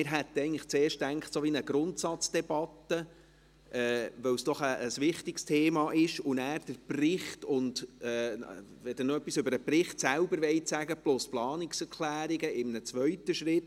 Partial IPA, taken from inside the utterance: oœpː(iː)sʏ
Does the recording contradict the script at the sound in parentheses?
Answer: yes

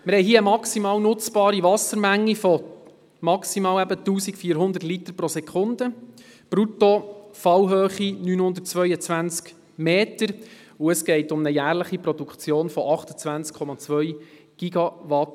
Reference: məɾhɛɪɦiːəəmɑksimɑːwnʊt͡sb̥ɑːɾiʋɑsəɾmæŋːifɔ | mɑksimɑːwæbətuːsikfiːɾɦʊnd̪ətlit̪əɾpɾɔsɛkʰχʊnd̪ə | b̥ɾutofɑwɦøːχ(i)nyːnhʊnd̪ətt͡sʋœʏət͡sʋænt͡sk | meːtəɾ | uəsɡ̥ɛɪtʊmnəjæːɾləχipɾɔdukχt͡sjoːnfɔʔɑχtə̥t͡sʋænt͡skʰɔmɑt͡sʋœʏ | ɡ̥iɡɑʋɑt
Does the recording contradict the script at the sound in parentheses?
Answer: no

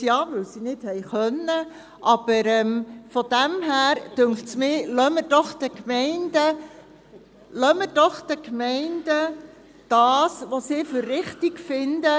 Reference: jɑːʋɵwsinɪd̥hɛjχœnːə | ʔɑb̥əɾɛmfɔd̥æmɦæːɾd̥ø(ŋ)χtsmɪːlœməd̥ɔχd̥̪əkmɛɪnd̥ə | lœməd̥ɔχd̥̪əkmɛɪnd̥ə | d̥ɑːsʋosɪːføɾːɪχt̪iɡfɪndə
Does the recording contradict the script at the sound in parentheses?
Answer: no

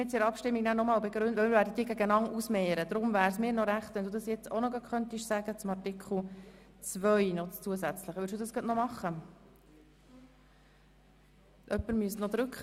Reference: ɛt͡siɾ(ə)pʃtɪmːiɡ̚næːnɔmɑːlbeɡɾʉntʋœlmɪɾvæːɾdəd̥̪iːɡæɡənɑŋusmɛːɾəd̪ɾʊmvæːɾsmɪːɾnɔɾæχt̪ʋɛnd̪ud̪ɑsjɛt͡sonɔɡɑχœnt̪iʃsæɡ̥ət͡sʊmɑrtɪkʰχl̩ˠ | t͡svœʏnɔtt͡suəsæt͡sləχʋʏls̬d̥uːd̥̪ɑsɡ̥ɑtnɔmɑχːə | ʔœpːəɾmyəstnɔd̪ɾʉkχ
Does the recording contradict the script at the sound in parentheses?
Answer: yes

